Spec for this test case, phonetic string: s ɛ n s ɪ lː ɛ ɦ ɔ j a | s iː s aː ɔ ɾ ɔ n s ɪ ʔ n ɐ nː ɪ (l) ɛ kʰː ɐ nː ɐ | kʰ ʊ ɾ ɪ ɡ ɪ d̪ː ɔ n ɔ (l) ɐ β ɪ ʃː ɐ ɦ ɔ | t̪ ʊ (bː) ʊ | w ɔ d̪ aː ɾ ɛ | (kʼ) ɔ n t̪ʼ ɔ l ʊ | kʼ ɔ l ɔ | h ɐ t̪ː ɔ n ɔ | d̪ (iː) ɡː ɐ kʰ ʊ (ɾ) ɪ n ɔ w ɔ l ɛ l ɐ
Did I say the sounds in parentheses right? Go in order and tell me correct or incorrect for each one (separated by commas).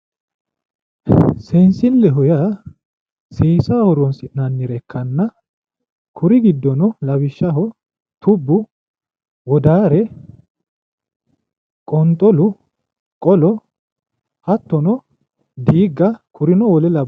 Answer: incorrect, correct, correct, correct, correct, correct